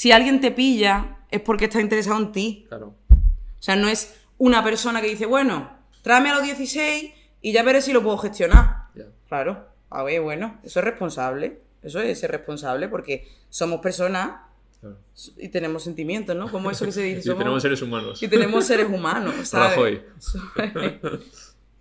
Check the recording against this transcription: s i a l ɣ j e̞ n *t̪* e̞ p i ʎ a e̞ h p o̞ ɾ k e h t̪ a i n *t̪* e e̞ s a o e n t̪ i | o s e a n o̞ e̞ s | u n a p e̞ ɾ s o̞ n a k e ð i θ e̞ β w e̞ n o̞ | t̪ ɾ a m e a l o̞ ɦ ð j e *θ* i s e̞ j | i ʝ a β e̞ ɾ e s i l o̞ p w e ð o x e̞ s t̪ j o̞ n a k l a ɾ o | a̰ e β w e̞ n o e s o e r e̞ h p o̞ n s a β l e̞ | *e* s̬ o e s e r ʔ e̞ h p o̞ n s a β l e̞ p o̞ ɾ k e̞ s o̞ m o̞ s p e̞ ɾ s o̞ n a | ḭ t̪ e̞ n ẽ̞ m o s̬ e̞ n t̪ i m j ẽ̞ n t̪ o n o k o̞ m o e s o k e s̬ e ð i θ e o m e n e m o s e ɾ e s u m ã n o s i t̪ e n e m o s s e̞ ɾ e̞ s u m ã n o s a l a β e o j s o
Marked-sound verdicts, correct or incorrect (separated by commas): correct, correct, correct, correct